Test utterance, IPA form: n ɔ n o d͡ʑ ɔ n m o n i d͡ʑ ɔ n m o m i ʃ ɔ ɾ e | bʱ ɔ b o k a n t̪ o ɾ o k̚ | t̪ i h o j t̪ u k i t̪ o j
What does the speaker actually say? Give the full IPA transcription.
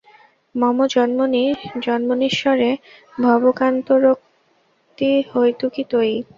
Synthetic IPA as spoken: m ɔ m o d͡ʑ ɔ n m o n i d͡ʑ ɔ n m o n i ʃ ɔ ɾ e | bʱ ɔ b o k a n t̪ o ɾ o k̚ | t̪ i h o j t̪ u k i t̪ o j